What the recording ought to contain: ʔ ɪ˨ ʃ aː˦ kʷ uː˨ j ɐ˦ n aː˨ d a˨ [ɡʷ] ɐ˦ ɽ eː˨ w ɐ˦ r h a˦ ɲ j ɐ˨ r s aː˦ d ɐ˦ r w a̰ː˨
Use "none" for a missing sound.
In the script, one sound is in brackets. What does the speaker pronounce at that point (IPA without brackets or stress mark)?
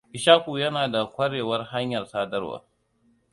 kʷ